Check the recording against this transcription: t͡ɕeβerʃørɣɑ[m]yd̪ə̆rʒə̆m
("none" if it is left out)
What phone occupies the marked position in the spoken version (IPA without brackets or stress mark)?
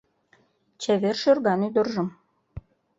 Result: n